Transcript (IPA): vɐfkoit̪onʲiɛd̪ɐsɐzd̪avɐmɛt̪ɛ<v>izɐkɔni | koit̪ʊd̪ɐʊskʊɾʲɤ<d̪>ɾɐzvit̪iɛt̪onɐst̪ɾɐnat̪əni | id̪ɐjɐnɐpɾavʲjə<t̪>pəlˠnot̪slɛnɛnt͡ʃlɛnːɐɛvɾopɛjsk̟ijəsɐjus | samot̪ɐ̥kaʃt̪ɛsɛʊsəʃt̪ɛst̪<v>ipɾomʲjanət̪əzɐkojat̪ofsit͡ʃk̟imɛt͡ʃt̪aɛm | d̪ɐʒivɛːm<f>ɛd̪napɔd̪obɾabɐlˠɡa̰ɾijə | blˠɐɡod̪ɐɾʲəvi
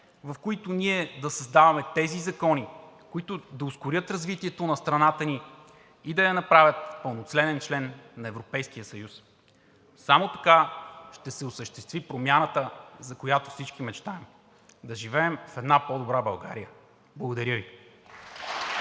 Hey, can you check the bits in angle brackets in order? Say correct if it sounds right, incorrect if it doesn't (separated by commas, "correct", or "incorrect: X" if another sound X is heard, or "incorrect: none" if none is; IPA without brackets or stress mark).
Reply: incorrect: z, incorrect: t̪, correct, correct, correct